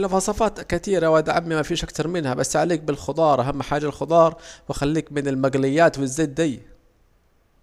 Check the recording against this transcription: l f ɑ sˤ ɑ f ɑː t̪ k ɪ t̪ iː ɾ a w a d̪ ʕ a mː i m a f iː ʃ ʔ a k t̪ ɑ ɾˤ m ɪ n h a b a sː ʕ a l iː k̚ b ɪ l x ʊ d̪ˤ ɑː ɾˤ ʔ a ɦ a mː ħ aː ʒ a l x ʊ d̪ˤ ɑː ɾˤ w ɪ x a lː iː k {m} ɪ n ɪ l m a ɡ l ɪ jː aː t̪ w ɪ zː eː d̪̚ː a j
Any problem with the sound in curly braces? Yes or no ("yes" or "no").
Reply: no